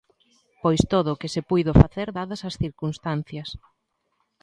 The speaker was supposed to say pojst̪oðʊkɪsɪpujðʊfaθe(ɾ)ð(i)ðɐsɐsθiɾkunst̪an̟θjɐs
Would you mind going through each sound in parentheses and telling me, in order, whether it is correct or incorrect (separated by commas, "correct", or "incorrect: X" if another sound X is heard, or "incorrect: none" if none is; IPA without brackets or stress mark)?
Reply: correct, incorrect: a